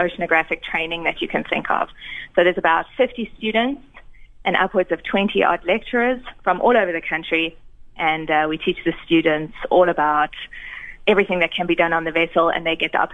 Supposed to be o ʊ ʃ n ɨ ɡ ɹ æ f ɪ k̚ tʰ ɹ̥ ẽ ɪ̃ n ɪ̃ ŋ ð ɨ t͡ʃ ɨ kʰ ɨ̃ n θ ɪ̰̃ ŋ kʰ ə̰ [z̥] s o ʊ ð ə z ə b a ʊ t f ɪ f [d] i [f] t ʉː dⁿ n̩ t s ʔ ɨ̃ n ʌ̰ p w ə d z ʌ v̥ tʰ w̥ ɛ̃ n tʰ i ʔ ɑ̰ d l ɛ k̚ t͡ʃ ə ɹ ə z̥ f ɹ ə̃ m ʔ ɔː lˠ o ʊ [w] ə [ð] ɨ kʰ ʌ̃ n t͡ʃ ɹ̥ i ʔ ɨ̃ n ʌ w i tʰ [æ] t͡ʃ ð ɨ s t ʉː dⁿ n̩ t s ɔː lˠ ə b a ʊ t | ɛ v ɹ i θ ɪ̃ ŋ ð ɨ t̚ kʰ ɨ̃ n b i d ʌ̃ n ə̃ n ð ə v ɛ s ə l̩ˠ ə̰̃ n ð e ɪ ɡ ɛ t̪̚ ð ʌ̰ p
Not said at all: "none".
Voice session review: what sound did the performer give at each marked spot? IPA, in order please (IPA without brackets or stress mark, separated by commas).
v̥, t, s, v, ð, i